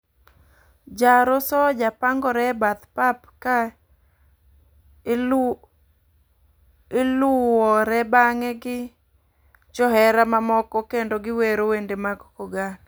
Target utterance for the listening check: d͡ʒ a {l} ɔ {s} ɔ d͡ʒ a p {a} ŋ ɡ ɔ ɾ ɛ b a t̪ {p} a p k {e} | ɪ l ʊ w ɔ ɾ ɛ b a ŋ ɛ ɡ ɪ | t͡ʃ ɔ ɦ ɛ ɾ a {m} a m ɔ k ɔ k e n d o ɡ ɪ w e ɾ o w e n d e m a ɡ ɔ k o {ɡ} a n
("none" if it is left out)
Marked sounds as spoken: ɾ, s, a, p, a, m, ɡ

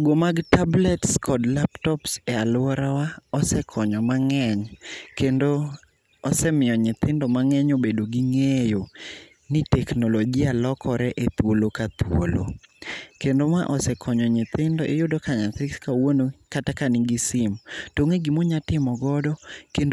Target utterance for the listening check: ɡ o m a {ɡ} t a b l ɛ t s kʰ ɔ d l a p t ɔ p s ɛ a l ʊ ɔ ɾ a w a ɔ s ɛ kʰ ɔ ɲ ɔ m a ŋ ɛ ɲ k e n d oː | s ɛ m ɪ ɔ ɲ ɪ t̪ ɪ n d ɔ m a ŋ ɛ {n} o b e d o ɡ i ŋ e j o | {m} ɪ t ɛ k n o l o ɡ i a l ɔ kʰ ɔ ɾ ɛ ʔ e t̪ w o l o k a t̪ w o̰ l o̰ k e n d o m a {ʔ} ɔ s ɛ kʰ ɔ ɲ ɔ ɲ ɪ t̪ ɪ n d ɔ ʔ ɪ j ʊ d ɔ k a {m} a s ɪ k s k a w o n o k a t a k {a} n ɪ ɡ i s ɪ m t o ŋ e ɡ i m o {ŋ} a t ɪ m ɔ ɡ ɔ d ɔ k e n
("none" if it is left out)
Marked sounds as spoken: ɡ, ɲ, n, ʔ, ɲ, a, ɲ

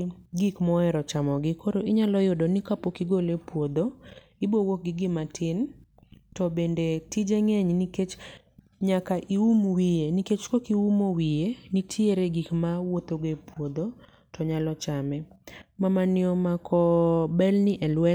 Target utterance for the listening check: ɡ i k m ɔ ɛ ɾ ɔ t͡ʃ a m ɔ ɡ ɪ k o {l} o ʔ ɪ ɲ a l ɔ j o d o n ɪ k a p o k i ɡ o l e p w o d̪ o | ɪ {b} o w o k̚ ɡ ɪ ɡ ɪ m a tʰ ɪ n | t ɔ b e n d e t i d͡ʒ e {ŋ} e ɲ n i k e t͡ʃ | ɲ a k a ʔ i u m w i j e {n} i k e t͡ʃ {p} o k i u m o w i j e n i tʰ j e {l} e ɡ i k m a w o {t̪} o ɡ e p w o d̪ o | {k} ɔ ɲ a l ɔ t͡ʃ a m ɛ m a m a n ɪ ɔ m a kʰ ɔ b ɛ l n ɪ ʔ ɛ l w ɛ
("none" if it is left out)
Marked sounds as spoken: ɾ, b, ŋ, n, k, ɾ, t̪, t

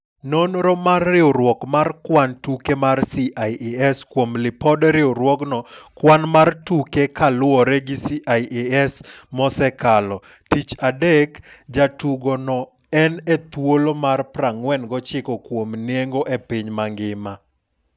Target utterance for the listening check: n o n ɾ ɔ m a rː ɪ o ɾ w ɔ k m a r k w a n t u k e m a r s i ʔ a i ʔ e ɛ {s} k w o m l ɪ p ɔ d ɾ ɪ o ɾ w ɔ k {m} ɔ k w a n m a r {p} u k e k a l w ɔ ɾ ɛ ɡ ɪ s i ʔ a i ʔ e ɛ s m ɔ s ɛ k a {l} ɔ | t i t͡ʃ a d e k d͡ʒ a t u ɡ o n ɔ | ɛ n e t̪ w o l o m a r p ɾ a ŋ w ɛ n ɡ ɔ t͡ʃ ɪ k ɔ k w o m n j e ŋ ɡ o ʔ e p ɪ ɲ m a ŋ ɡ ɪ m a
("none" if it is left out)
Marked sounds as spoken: s, n, t, l

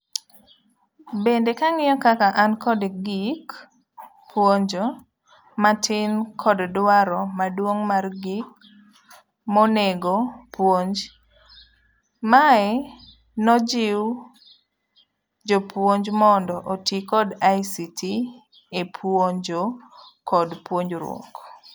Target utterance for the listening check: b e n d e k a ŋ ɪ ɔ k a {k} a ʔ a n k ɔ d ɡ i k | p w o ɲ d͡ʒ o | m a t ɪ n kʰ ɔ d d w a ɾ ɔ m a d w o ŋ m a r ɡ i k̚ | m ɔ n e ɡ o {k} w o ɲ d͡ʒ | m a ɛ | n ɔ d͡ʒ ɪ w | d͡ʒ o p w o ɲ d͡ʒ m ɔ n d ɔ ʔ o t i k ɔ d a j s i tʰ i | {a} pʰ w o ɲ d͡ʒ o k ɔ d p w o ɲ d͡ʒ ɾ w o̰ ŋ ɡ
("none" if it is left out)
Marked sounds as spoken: k, p, e

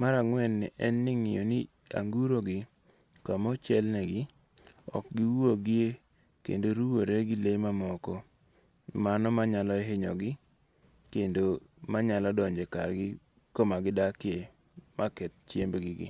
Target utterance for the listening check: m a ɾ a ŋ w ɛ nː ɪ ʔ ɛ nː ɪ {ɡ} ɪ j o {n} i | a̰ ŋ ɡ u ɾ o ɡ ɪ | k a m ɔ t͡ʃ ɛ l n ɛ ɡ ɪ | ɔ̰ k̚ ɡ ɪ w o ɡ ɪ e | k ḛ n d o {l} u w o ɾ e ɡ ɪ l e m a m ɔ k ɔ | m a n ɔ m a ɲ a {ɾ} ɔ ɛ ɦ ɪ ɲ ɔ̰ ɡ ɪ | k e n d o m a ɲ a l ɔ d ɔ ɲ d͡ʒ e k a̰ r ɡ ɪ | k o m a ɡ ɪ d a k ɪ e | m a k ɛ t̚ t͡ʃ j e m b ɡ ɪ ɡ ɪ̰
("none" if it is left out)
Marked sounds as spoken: ŋ, n, ɾ, l

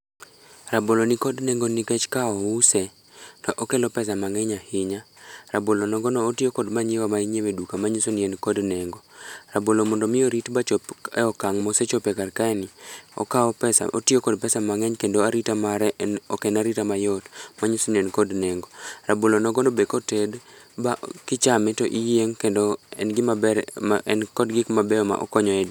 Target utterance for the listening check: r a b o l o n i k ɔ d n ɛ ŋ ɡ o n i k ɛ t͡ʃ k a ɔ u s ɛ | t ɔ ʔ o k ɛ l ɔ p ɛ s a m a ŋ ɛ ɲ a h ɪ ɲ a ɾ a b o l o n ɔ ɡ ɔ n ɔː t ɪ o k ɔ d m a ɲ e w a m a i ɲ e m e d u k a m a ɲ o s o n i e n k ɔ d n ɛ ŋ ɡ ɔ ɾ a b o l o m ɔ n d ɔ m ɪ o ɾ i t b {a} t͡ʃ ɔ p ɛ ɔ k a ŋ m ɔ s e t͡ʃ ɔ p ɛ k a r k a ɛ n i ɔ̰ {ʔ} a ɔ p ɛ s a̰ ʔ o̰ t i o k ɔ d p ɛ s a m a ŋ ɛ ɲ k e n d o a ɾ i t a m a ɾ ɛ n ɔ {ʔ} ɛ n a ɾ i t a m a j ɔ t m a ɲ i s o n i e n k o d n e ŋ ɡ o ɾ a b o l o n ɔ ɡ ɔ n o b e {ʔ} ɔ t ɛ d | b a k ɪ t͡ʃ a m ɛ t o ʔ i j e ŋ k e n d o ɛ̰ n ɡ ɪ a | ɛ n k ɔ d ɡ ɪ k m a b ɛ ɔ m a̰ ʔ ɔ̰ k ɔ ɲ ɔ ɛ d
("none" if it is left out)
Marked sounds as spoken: a, k, k, k

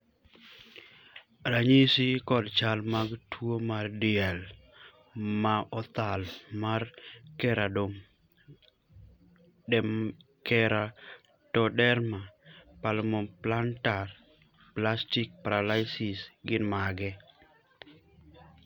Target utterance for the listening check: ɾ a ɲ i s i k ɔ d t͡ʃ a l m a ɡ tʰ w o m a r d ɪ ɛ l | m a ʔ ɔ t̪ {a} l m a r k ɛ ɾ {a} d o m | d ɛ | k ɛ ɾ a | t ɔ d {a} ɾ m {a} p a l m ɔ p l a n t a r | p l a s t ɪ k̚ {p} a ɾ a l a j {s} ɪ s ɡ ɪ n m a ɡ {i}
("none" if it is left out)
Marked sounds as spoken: a, a, ɛ, a, p, s, ɛ

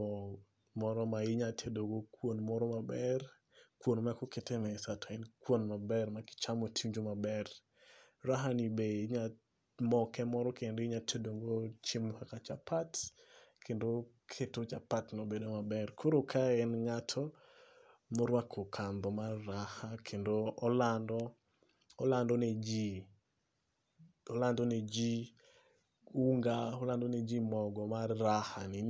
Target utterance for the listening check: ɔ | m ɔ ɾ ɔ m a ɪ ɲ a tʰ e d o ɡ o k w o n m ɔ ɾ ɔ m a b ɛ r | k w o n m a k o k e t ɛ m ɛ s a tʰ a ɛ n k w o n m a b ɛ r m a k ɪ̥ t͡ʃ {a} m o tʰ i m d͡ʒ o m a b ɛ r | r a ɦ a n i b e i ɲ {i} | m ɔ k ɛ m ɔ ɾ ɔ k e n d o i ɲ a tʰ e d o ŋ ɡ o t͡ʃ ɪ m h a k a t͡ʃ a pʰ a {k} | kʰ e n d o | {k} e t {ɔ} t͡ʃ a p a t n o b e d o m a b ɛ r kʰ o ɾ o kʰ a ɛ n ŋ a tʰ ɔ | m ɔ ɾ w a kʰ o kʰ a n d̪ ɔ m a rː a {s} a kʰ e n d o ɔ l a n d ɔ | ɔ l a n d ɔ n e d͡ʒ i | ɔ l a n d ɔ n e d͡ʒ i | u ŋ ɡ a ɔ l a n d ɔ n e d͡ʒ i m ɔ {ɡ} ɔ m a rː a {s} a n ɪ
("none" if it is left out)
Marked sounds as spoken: a, a, t, kʰ, o, h, ɡ, h

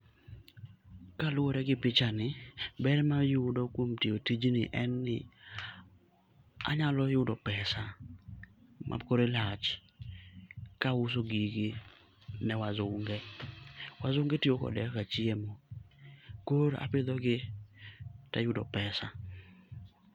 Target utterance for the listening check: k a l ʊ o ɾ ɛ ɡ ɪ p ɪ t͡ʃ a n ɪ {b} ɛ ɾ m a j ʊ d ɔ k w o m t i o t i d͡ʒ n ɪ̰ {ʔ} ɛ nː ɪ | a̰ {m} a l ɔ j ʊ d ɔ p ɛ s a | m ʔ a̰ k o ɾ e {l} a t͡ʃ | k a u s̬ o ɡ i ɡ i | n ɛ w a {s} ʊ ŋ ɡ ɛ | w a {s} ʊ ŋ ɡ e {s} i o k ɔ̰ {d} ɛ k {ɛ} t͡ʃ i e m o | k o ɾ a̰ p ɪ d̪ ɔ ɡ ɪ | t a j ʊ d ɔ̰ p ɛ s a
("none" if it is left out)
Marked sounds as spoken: b, ʔ, ɲ, l, z, z, t, d, a

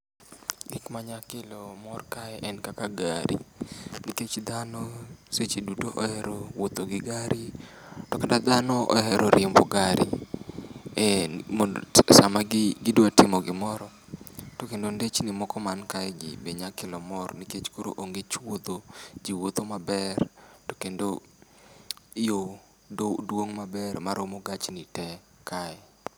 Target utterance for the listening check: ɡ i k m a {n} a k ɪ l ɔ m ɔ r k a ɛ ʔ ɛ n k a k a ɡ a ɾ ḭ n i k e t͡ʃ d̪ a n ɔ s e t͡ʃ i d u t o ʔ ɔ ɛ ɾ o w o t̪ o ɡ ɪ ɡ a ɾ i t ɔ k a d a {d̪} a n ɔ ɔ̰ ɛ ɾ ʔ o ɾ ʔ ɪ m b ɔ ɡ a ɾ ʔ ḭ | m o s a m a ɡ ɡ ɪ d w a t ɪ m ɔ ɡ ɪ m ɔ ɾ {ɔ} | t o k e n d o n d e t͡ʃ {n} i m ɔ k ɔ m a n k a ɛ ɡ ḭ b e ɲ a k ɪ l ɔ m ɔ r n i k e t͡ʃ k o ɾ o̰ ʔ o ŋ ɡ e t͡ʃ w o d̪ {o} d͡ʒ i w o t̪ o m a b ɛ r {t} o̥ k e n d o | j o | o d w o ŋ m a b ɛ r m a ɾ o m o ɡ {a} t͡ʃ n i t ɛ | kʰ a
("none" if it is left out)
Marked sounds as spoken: ɲ, d̪, ɔ, n, o, t, a

